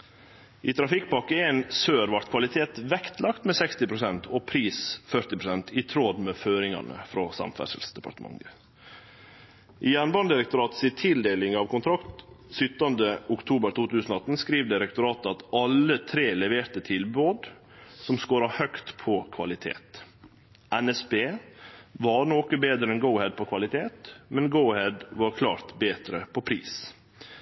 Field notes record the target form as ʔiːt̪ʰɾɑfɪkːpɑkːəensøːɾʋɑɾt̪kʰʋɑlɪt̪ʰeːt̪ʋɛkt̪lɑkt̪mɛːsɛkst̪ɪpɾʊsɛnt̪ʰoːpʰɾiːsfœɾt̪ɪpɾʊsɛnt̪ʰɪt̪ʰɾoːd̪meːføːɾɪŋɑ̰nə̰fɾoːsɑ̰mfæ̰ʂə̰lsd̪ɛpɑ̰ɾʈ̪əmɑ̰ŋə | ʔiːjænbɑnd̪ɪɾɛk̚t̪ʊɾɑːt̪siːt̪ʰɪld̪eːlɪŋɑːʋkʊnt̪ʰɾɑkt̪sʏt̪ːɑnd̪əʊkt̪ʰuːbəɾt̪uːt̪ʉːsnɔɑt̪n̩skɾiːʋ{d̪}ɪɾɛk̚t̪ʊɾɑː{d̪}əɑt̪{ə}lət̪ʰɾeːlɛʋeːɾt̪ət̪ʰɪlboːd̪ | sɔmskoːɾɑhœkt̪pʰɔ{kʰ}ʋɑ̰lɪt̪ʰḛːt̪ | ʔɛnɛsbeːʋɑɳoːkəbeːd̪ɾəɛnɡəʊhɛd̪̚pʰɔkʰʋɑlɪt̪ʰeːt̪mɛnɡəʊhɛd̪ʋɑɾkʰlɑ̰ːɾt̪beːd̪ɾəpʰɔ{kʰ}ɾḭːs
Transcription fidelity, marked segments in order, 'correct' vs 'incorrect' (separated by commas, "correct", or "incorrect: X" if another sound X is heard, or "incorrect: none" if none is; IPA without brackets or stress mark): correct, incorrect: t̪, incorrect: ɑ, correct, incorrect: pʰ